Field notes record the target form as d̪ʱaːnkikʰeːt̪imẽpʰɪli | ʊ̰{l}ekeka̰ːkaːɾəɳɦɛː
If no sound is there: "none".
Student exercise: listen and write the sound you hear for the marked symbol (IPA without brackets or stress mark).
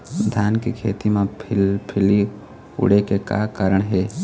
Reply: ɽ